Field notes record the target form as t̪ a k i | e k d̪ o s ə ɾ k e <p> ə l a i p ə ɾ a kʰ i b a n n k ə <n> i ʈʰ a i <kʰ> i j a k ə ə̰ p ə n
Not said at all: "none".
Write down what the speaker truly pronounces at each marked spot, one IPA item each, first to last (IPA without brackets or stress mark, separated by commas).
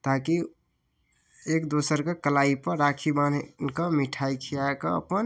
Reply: k, m, kʰ